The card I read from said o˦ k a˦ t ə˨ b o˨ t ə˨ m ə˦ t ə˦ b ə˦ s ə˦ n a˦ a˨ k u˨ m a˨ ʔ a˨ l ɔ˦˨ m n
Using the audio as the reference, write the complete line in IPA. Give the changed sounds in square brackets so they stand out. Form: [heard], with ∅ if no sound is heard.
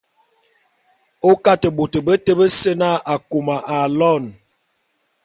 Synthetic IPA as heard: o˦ k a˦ t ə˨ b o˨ t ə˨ [b] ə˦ t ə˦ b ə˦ s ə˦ n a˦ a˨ k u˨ m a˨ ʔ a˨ l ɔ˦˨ [∅] n